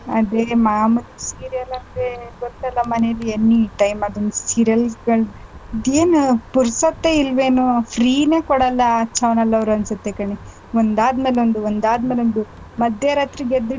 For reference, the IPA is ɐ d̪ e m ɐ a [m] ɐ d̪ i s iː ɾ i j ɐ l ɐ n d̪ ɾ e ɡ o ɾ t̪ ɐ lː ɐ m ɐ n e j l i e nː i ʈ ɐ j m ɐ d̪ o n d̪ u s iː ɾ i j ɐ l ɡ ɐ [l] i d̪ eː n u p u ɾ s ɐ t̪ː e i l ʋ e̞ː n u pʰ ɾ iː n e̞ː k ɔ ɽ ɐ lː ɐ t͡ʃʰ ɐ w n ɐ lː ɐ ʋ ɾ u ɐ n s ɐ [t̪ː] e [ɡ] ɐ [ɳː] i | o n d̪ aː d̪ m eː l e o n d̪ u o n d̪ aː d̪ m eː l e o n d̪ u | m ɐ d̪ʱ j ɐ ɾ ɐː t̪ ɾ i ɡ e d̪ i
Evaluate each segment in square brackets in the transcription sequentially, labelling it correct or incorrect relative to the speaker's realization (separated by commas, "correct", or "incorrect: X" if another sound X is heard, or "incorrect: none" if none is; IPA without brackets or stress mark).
correct, incorrect: ɭ, correct, incorrect: k, incorrect: ɳ